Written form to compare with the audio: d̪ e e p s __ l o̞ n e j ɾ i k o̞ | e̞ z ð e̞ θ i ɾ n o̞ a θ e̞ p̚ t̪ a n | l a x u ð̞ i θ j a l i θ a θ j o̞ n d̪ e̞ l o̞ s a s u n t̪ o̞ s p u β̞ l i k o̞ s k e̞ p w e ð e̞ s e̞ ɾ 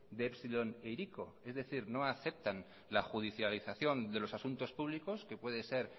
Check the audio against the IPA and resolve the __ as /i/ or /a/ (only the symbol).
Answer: i